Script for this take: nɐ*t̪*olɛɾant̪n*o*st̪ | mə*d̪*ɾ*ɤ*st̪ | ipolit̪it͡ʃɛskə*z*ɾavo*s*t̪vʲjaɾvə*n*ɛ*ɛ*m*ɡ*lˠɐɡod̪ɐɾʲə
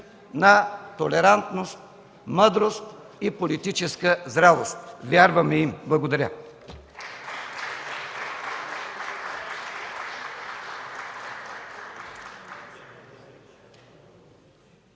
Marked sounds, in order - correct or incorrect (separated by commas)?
correct, correct, correct, incorrect, correct, correct, incorrect, incorrect, incorrect